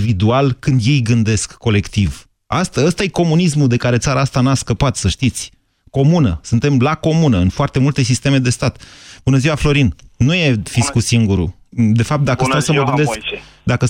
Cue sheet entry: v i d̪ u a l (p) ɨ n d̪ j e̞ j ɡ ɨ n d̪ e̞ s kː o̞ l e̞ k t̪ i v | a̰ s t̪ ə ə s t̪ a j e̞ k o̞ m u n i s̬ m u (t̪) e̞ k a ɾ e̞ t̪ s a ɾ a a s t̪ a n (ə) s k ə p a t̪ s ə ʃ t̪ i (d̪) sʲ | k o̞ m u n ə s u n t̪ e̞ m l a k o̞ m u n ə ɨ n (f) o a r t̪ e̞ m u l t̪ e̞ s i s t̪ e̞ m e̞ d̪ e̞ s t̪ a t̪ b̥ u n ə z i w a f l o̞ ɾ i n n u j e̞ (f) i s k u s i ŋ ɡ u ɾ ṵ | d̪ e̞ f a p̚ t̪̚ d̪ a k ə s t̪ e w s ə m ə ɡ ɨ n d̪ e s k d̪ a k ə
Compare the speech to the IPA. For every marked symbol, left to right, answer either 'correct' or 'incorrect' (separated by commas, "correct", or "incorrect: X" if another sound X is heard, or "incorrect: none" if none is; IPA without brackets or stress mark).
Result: incorrect: k, incorrect: d̪, incorrect: a, incorrect: t̪, correct, correct